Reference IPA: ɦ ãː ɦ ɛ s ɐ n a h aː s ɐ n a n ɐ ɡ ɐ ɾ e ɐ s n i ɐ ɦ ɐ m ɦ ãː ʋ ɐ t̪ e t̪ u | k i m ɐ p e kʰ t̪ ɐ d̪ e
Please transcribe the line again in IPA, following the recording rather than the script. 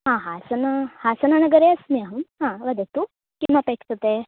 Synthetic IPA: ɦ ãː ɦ a s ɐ n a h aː s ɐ n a n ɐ ɡ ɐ ɾ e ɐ s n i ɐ ɦ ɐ m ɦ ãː ʋ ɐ d̪ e t̪ u | k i m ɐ p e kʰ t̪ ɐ t̪ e